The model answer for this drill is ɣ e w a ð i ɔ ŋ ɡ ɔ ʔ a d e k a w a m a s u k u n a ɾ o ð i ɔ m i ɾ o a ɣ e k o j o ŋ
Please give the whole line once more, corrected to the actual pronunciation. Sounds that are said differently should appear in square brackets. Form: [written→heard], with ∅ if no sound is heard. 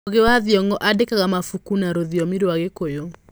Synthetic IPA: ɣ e w a ð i ɔ ŋ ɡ ɔ ʔ a d e k a [w→ɣ] a m a [s→f] u k u n a ɾ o ð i ɔ m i ɾ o a ɣ e k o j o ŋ